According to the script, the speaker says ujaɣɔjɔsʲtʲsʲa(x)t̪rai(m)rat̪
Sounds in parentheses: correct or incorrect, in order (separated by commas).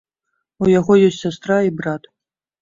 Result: incorrect, incorrect